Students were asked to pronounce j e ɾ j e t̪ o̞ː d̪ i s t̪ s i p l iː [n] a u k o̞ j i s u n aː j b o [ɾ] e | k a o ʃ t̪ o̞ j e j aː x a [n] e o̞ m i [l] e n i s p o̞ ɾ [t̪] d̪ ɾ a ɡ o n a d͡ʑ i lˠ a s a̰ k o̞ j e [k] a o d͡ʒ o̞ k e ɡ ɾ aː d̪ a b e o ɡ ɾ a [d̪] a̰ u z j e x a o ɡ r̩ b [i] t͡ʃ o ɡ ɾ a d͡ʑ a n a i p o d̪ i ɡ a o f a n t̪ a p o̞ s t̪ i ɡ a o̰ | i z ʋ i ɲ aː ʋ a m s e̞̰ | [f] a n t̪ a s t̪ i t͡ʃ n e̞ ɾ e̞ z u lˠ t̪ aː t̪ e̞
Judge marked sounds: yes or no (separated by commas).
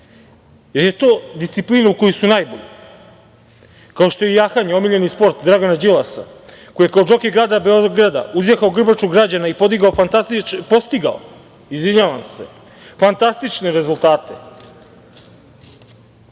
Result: yes, no, no, no, yes, yes, yes, no, yes